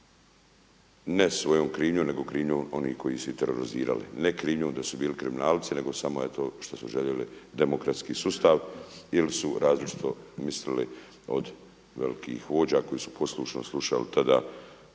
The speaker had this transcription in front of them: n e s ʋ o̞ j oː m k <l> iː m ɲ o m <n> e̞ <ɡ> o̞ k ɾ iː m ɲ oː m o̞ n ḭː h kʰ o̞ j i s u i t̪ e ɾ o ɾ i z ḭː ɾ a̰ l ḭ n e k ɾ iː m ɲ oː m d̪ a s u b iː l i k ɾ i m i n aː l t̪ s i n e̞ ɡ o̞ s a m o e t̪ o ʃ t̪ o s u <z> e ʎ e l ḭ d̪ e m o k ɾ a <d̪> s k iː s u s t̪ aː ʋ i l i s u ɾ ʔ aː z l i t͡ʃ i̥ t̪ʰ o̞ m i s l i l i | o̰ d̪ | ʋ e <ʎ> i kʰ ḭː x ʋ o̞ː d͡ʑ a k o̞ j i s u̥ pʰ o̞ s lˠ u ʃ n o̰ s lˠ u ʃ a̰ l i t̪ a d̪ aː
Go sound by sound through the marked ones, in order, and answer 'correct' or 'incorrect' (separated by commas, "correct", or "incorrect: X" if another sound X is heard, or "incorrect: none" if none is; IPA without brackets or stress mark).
incorrect: ɾ, correct, correct, incorrect: ʒ, incorrect: t̪, incorrect: l